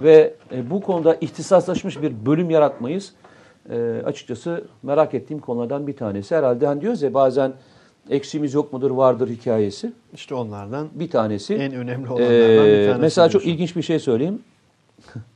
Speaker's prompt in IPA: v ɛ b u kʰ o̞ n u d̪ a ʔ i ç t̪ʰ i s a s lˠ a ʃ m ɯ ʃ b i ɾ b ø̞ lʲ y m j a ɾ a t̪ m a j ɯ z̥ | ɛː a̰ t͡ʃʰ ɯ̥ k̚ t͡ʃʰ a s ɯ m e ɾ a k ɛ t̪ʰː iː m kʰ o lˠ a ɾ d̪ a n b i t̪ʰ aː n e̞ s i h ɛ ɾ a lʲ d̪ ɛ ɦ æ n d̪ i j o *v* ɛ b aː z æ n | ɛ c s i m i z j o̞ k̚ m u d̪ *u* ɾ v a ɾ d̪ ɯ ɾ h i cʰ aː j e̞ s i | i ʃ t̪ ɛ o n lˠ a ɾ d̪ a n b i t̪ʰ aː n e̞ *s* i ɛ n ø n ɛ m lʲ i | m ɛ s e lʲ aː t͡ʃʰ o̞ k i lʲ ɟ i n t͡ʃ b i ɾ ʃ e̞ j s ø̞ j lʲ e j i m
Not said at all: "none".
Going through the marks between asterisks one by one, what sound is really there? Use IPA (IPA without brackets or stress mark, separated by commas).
z, ɯ, s